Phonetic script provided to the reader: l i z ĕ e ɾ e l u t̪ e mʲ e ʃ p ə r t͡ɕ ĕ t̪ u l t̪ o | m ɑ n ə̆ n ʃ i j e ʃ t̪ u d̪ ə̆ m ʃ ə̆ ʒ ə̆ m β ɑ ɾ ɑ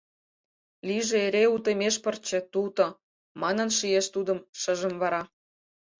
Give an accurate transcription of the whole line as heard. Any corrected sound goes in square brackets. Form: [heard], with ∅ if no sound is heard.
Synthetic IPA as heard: l i [ʒ] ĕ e ɾ e [∅] u t̪ e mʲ e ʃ p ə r t͡ɕ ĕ t̪ u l t̪ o | m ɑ n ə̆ n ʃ i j e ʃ t̪ u d̪ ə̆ m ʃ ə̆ ʒ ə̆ m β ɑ ɾ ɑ